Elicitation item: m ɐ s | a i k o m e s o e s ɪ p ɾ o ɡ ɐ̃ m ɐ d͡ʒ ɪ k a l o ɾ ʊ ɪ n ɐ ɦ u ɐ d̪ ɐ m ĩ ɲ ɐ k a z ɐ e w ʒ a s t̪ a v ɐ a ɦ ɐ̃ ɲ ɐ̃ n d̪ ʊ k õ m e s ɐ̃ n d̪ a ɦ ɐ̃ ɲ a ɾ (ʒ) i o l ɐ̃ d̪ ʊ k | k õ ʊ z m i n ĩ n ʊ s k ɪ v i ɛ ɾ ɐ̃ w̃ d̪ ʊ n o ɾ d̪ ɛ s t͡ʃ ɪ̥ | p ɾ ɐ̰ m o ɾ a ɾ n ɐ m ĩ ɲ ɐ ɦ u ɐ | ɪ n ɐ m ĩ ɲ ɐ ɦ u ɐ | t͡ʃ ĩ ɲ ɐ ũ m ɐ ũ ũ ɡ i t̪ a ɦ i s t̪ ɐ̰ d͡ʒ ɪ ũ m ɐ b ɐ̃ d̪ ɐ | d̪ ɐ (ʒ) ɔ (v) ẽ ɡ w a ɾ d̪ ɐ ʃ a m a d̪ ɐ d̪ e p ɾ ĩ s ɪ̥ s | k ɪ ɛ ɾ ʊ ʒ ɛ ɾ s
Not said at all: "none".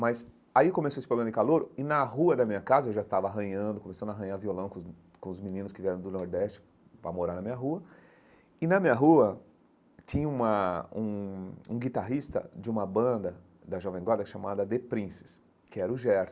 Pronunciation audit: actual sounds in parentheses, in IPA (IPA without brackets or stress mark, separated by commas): v, ʒ, v